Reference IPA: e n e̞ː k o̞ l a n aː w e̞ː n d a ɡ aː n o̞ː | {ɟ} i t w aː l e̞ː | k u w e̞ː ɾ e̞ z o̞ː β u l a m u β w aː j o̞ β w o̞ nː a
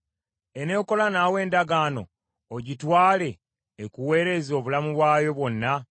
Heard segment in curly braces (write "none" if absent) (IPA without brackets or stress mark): ɟ